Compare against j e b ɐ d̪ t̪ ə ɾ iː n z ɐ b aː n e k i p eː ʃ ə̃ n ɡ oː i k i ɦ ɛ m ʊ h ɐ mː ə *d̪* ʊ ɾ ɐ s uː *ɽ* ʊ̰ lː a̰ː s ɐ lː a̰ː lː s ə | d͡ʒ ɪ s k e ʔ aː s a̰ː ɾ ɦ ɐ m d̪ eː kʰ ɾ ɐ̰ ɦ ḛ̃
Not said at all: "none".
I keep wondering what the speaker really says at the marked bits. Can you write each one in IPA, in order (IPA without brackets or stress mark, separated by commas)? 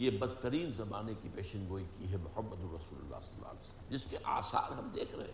d̪, l